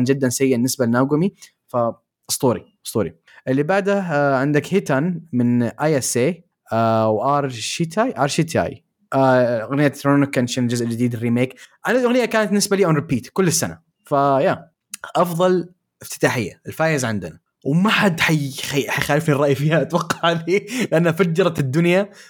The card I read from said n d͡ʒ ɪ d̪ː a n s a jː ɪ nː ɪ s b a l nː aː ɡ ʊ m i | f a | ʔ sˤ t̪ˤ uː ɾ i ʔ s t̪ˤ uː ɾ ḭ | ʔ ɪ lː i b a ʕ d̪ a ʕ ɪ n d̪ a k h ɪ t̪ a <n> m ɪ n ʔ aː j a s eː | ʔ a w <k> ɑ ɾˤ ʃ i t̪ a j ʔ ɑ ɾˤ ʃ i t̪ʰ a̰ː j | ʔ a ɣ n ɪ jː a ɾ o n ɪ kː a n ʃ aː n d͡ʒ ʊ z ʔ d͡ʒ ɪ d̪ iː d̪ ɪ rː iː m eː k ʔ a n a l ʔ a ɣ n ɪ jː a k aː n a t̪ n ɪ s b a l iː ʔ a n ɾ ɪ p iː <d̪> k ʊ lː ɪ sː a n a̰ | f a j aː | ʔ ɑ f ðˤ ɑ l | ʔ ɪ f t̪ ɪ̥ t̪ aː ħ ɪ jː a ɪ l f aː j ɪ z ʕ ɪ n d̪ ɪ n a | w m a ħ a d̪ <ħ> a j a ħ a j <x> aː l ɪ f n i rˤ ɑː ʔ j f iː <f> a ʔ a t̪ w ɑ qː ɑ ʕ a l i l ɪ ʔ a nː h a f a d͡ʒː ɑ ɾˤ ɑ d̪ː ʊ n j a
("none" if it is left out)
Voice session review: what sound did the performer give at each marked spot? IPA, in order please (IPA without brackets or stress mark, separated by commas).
n, ʔ, t̪, ħ, x, h